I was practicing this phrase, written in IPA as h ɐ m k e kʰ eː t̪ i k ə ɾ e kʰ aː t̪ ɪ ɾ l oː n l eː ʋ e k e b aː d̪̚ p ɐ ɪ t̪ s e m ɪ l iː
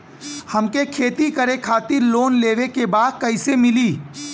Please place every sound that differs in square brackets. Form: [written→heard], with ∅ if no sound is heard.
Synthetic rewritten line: h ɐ m k e kʰ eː t̪ i k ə ɾ e kʰ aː t̪ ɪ ɾ l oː n l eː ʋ e k e b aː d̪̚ [p→k] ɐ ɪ [t̪→∅] s e m ɪ l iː